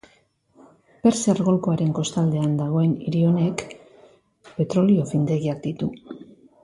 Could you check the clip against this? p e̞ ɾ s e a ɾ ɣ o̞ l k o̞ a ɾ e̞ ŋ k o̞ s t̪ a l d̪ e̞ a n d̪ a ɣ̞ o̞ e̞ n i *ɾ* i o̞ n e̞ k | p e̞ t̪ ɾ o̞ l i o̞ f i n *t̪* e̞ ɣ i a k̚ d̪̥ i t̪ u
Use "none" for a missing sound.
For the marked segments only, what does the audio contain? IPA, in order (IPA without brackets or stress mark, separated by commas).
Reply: ɾ, d̪